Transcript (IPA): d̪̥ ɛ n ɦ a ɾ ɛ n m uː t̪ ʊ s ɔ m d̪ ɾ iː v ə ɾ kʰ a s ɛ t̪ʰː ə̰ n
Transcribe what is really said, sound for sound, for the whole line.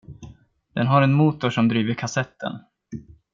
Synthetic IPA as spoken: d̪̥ ɛ n ɦ a ɾ ɛ n m uː t̪ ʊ ʂ ɔ m d̪ ɾ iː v ə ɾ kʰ a s ɛ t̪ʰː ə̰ n